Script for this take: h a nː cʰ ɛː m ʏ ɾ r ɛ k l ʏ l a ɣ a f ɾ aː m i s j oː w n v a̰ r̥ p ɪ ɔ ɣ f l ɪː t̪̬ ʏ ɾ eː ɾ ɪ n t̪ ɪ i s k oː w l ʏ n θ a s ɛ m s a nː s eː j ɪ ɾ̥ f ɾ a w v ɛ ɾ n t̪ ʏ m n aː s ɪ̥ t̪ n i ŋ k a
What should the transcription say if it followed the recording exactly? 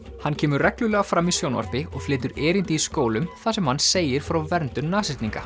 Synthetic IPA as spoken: h a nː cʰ ɛː m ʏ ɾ r ɛ k l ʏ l ɛ ɣ a f ɾ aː m i s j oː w n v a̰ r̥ p ɪ ɔ ɣ f l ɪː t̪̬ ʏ ɾ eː ɾ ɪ n t̪ ɪ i s k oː w l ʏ m θ a s ɛ m h a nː s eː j ɪ ɾ̥ f ɾ a w v ɛ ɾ n t̪ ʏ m n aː s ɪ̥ t̪ n i ŋ k a